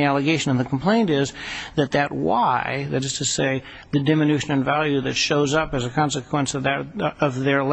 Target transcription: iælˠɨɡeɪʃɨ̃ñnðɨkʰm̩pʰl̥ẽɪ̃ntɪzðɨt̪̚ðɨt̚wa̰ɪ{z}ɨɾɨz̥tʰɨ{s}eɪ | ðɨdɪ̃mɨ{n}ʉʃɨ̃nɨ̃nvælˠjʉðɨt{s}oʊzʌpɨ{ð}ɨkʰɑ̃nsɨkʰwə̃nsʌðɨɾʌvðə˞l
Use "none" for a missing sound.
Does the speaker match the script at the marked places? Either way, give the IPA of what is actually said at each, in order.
ð, s, n, ʃ, z

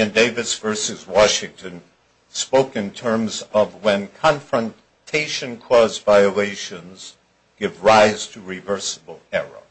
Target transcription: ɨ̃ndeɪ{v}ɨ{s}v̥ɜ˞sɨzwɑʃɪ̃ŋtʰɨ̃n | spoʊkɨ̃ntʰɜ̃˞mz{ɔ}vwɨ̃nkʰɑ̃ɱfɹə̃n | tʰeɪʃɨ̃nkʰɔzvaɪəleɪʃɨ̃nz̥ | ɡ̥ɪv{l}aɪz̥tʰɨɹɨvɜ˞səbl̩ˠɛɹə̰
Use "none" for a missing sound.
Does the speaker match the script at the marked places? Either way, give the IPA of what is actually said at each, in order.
v, s, ʌ, ɹ

